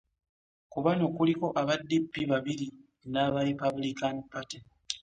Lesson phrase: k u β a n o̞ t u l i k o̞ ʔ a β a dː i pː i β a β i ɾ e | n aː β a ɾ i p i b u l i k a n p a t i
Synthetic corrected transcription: k u β a n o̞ k u l i k o̞ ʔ a β a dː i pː i β a β i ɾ i | n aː β a ɾ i p a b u l i k a n p a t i

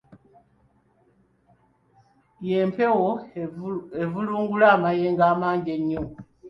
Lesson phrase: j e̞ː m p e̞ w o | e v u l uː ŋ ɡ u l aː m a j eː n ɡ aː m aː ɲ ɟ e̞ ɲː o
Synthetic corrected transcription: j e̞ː m p e̞ w o | e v u l uː ŋ ɡ u l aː m a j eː ŋ ɡ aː m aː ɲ ɟ e̞ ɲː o

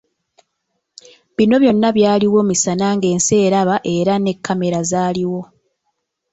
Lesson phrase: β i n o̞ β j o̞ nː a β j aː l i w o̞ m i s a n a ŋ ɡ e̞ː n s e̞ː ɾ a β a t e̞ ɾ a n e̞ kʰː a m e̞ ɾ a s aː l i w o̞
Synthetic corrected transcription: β i n o̞ β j o̞ nː a β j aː l i w o̞ m i s a n a ŋ ɡ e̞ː n s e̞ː ɾ a β a ʔ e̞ ɾ a n e̞ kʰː a m e̞ ɾ a z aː l i w o̞

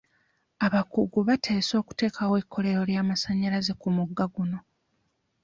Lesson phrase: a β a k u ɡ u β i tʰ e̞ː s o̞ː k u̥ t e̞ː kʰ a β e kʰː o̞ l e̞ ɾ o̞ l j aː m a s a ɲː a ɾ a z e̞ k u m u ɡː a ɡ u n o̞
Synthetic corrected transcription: a β a k u ɡ u β a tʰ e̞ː s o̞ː k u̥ t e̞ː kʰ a w e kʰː o̞ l e̞ ɾ o̞ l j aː m a s a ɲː a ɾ a z e̞ k u m u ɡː a ɡ u n o̞

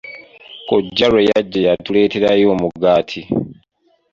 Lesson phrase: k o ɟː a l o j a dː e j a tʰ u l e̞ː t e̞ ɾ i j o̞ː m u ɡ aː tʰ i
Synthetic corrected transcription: k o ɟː a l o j a ɟː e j a t u l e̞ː t e̞ ɾ a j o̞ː m u ɡ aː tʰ i

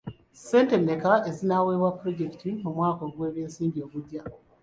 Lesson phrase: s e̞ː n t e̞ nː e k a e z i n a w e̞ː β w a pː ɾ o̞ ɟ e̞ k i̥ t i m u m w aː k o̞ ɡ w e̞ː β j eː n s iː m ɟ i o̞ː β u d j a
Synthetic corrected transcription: s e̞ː n t e̞ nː e k a e z i n a w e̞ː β w a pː ɾ o̞ ɟ e̞ k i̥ t i m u m w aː k o̞ ɡ w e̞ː β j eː n s iː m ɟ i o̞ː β u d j a

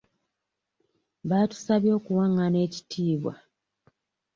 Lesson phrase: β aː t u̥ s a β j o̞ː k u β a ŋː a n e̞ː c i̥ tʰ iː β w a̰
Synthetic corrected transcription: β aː t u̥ s a β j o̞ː k u w a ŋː a n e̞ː c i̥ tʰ iː β w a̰

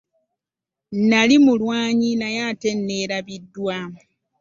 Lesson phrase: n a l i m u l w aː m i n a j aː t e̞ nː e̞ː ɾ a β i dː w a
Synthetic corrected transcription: n a l i m u l w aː ɲ i n a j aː t e̞ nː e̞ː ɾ a β i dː w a

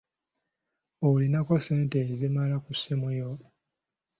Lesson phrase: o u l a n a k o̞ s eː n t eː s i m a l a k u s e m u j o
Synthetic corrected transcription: o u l i n a k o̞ s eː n t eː z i m a l a k u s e m u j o

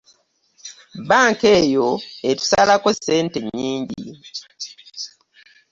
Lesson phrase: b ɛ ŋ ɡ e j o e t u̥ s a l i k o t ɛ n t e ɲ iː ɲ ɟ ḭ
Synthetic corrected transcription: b a ŋ k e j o e t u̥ s a l a k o s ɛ n t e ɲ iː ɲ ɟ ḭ

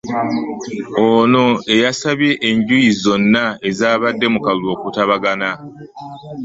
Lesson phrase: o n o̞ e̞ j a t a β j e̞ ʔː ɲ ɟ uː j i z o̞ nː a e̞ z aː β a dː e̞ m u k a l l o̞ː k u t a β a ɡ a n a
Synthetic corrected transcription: o n o̞ e̞ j a s a β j e̞ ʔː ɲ ɟ u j i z o̞ nː a e̞ z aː β a dː e̞ m u k a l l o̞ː k u t a β a ɡ a n a

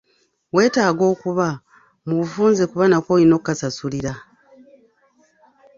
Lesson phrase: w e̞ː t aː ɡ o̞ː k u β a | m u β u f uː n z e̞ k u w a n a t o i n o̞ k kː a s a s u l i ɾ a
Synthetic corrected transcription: w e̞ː t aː ɡ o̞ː k u β a | m u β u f uː n z e̞ k u β a n a k o i n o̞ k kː a s a s u l i ɾ a

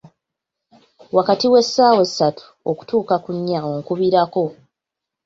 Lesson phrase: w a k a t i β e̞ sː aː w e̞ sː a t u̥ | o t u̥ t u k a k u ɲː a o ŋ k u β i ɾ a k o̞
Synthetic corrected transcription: w a k a t i w e̞ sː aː w e̞ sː a t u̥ | o k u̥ t uː k a k u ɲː a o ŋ k u β i ɾ a k o̞

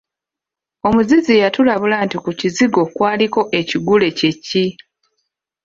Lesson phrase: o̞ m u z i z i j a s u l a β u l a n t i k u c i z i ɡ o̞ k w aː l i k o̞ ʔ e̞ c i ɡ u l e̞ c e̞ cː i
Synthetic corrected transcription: o̞ m u z i z i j a t u l a β u l a n t i k u c i z i ɡ o̞ k w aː l i k o̞ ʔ e̞ c i ɡ u l e̞ c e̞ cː i

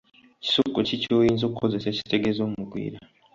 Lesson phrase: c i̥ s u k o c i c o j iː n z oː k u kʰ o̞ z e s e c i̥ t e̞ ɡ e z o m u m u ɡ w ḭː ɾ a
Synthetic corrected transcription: c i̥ s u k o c i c o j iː n z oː k u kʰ o̞ z e s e c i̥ t e̞ ɡ e z o m u m u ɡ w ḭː ɾ a

